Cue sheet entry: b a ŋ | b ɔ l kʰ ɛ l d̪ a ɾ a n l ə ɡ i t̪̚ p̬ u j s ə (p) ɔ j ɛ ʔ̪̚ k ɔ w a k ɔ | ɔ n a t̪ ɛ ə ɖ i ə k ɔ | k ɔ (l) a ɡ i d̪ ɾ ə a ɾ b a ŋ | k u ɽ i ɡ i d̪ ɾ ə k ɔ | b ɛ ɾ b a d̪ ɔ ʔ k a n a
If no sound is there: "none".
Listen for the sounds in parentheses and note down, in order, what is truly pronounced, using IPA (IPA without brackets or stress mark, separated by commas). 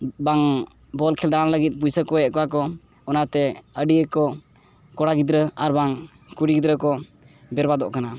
k, ɽ